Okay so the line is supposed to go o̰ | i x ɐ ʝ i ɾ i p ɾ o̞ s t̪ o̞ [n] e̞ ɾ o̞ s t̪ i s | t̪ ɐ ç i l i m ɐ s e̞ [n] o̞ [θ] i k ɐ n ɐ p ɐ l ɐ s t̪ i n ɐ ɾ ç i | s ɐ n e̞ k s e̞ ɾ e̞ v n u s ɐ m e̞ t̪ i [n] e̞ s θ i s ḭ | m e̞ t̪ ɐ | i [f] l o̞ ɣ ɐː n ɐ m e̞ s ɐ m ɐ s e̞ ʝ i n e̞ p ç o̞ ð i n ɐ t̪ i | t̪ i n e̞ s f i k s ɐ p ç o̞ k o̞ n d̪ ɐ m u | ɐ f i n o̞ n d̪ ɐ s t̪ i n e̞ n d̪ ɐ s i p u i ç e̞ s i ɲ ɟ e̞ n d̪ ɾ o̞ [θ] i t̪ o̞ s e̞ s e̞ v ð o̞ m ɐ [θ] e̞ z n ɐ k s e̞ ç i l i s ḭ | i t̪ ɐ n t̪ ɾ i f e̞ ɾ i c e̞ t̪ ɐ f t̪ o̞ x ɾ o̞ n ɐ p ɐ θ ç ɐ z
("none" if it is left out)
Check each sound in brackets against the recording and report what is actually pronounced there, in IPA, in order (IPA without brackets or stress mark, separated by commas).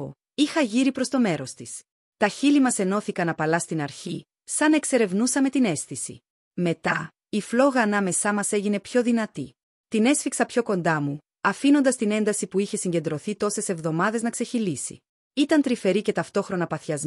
m, n, θ, n, f, θ, ð